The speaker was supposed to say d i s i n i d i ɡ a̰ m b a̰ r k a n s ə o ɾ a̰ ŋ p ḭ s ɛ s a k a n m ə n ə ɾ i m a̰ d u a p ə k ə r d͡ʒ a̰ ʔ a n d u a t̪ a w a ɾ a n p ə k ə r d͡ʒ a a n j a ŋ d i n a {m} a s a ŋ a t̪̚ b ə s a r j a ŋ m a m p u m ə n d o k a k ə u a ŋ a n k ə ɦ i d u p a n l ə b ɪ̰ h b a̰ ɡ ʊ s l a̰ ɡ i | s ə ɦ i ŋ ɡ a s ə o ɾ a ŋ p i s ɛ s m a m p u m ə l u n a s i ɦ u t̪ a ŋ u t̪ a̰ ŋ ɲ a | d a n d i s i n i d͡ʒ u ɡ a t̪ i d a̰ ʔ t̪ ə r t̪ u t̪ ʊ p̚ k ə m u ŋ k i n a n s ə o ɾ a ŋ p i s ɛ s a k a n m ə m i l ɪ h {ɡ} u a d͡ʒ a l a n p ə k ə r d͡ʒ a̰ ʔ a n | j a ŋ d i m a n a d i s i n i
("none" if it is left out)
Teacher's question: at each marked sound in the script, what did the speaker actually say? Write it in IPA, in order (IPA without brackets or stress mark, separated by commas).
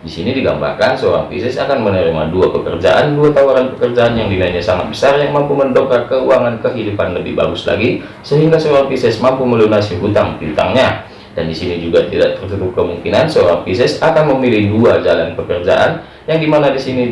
ɲ, d